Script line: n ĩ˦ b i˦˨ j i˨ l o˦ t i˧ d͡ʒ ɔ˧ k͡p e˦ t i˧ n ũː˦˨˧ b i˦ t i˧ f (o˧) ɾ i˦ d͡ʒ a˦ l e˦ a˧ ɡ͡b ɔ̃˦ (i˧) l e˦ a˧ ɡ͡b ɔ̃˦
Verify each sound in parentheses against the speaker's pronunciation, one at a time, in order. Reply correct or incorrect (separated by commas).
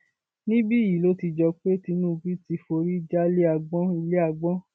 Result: correct, correct